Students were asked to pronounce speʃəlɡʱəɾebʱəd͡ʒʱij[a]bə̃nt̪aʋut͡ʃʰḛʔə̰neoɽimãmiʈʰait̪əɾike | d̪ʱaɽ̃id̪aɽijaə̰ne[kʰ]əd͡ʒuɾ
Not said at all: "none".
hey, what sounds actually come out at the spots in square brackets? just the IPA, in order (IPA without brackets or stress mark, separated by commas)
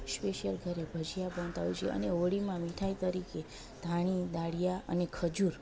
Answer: a, kʰ